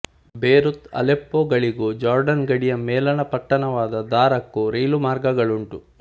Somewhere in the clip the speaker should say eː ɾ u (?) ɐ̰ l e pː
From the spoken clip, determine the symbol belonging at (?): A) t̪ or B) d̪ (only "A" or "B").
A